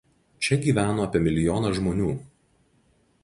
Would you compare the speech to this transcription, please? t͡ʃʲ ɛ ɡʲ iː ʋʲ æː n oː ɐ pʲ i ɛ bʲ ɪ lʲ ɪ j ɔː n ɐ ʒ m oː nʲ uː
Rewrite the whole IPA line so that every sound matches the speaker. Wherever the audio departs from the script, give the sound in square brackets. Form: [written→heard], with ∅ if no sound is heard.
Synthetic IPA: t͡ʃʲ ɛ ɡʲ iː ʋʲ æː n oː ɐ pʲ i ɛ [bʲ→mʲ] ɪ lʲ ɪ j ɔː n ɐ ʒ m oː nʲ uː